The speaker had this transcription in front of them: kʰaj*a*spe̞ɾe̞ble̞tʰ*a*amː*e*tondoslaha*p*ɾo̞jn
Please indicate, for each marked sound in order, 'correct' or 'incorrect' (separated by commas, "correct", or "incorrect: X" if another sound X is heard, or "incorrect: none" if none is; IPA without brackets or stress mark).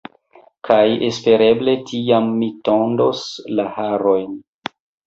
incorrect: e, incorrect: i, incorrect: i, incorrect: none